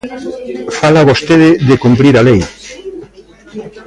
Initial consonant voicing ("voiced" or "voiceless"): voiceless